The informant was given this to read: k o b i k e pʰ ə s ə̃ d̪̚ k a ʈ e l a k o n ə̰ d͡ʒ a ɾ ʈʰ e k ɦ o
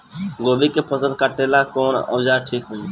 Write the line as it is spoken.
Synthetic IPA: ɡ o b i k e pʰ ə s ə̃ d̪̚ k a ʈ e l a k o n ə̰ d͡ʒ a ɾ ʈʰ i k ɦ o